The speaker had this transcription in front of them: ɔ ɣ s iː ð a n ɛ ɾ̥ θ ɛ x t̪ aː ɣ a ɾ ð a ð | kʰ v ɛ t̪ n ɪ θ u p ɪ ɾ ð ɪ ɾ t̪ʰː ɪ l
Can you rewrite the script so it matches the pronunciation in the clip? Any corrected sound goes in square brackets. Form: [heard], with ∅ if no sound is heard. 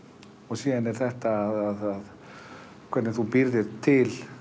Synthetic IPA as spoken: ɔ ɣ s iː ð a n ɛ ɾ̥ θ ɛ [h] t̪ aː [ð] a [∅] ð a ð | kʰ v ɛ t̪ n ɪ θ u p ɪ ɾ ð ɪ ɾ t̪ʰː ɪ l